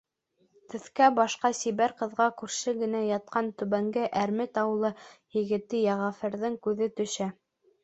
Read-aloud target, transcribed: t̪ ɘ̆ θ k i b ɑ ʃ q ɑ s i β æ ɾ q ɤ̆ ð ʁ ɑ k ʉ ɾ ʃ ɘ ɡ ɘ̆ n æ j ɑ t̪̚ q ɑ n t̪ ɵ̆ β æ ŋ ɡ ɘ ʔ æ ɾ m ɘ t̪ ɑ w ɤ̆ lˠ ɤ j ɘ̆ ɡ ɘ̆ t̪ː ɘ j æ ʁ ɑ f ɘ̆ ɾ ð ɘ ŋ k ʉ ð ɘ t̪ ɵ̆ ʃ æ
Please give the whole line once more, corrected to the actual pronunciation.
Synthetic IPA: t̪ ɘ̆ θ k æ b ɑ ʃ q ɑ s i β æ ɾ q ɤ̆ ð ʁ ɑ k ʉ ɾ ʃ ɘ ɡ ɘ̆ n æ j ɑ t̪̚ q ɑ n t̪ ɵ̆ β æ ŋ ɡ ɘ ʔ æ ɾ m ɘ t̪ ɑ w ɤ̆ lˠ ɤ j ɘ̆ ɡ ɘ̆ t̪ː ɘ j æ ʁ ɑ f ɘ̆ ɾ ð ɘ ŋ k ʉ ð ɘ t̪ ɵ̆ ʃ æ